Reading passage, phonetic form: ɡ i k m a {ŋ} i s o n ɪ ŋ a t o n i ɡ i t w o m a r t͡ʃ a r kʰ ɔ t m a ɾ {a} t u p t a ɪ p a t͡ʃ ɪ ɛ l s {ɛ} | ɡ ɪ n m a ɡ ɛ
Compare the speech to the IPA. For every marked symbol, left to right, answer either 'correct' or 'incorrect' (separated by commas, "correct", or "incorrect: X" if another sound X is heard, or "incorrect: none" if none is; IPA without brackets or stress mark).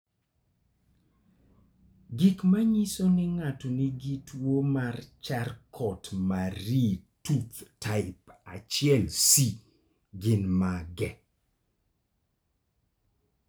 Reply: incorrect: ɲ, incorrect: i, incorrect: i